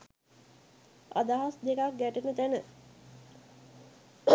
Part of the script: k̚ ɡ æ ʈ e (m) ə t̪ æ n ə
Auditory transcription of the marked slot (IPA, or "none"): n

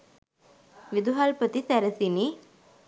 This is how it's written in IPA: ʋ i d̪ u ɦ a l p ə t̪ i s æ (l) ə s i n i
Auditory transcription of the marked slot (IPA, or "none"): ɾ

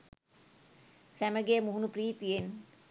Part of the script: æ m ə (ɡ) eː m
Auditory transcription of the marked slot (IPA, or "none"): ɡ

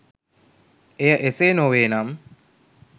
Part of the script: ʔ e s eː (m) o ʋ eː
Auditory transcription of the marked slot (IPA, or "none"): n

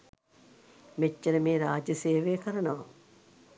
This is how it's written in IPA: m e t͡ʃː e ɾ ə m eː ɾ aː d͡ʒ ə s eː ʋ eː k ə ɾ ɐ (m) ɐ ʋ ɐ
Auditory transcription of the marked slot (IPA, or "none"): n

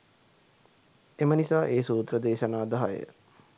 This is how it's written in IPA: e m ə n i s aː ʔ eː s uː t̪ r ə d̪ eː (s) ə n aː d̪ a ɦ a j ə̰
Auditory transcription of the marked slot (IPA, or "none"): ʃ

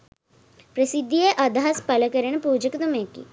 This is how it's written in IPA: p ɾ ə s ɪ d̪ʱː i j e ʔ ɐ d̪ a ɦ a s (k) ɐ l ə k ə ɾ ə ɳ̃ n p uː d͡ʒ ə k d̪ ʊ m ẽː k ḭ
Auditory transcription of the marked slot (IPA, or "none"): p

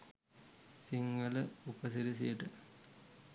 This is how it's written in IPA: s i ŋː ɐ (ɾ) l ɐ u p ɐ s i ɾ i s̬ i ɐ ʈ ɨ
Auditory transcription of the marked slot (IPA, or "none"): none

